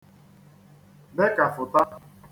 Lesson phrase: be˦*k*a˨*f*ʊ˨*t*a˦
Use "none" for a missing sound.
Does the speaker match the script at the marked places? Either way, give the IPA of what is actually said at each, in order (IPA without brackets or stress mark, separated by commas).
k, f, t